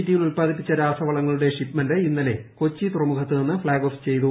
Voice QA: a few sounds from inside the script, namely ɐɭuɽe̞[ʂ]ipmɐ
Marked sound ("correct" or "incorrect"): correct